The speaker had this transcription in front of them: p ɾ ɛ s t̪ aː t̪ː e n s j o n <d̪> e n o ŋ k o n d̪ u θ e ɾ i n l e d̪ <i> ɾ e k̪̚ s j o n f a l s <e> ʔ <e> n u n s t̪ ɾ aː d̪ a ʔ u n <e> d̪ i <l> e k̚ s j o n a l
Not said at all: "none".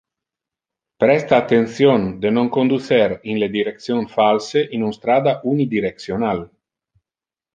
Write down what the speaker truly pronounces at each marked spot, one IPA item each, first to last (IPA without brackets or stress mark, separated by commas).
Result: d̪, i, e, i, i, ɾ